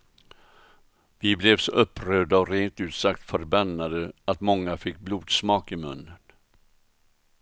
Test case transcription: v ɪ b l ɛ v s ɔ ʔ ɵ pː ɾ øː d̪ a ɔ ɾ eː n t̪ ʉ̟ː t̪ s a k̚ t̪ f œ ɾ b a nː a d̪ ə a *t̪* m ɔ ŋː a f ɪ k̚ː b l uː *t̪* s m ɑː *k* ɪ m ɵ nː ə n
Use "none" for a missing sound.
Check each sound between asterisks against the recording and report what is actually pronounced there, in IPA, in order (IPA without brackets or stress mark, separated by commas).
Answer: t̪, d̪, k